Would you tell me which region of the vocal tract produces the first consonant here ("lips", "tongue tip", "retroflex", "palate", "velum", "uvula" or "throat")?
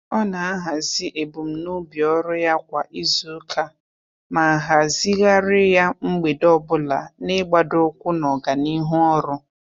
tongue tip